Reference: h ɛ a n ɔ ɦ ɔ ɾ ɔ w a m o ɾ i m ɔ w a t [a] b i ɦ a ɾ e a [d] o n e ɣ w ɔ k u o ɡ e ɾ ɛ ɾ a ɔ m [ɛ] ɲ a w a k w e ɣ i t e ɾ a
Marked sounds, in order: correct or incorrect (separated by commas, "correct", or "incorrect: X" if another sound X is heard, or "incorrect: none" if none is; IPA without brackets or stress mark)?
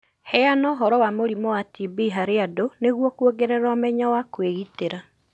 incorrect: i, correct, correct